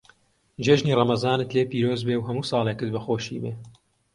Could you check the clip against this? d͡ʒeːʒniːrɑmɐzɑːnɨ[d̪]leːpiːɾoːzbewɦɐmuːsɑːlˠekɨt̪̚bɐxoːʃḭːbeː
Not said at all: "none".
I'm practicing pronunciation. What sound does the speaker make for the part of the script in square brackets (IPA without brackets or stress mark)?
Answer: t̪